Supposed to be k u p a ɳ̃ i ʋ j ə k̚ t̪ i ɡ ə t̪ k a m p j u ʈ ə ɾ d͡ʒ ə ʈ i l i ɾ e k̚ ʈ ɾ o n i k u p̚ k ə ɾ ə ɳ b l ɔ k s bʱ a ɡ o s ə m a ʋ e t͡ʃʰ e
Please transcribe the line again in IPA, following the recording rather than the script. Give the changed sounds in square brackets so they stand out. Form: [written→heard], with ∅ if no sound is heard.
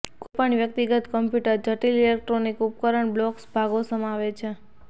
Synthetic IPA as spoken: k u p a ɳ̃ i ʋ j ə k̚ t̪ i ɡ ə t̪ k [a→ə] m p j u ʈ ə ɾ d͡ʒ ə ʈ i l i [ɾ→l] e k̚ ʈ ɾ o n i k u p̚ k ə ɾ ə ɳ b l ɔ k s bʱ a ɡ o s ə m a ʋ e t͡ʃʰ e